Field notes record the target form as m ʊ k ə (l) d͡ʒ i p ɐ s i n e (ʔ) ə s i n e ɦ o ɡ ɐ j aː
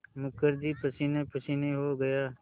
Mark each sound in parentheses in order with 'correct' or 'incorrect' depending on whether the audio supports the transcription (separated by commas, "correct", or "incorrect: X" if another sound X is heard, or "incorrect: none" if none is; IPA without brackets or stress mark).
incorrect: ɾ, incorrect: p